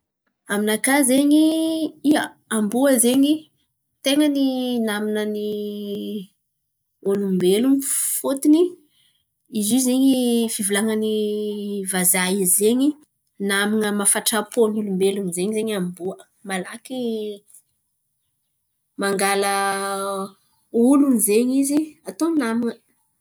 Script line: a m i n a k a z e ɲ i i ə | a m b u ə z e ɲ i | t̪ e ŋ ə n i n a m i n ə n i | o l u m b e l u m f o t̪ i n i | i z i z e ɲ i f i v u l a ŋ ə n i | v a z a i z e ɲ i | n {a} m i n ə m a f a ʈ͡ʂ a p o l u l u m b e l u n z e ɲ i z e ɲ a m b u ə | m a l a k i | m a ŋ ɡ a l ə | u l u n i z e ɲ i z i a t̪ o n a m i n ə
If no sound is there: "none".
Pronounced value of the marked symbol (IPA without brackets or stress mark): a